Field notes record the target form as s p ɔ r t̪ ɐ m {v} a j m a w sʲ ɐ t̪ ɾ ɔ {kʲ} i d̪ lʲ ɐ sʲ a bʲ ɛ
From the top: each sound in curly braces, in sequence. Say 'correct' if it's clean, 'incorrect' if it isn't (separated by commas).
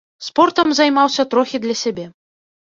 incorrect, incorrect